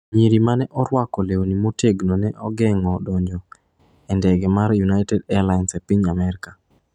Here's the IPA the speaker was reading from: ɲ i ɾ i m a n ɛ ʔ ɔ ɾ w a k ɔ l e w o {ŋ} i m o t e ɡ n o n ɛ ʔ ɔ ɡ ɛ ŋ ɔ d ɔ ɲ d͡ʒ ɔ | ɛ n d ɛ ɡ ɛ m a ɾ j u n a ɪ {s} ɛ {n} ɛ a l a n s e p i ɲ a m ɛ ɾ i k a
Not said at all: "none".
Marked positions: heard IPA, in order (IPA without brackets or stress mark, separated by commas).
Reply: n, t, d